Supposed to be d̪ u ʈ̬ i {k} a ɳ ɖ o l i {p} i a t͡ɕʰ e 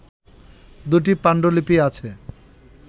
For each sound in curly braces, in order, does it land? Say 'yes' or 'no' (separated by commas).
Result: no, yes